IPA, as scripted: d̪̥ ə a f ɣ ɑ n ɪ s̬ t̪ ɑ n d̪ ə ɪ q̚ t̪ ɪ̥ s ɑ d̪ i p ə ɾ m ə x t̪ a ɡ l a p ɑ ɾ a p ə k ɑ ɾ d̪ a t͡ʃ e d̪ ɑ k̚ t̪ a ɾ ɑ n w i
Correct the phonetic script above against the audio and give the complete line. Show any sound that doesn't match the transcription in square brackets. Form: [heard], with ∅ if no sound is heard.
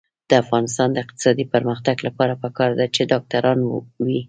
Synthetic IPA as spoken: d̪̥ ə a f ɣ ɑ n ɪ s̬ t̪ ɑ n d̪ ə ɪ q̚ t̪ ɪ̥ s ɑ d̪ i p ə ɾ m ə x t̪ a ɡ l a p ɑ ɾ a p ə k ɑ ɾ d̪ a t͡ʃ e d̪ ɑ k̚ t̪ a ɾ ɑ n w i